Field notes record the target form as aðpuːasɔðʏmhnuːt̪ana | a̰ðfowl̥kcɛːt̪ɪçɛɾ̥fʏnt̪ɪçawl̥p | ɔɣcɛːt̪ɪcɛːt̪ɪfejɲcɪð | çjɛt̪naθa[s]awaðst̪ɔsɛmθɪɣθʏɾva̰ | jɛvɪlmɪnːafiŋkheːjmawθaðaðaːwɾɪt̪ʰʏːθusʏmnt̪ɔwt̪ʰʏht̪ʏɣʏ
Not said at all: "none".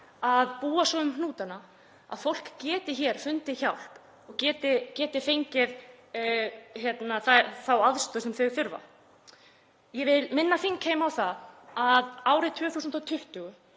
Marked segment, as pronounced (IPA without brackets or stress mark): θ